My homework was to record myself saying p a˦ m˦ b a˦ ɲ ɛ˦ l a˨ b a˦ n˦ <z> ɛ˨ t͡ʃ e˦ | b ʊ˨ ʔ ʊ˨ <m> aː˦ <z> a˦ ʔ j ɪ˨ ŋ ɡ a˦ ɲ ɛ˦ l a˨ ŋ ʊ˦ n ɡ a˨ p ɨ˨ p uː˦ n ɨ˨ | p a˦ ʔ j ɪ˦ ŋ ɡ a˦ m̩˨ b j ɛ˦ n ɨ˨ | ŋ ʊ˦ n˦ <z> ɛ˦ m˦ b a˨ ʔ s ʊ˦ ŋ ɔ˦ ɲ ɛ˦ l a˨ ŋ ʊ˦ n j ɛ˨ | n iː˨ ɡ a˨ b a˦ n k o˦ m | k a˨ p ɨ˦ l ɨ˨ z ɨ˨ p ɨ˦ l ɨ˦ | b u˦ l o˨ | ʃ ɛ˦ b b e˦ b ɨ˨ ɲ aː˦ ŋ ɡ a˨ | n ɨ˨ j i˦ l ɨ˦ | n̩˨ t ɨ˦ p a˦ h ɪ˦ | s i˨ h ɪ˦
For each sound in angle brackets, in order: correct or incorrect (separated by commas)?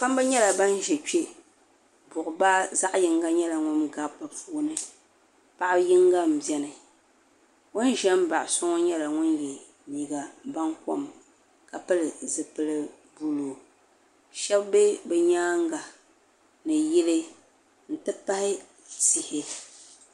incorrect, incorrect, correct, incorrect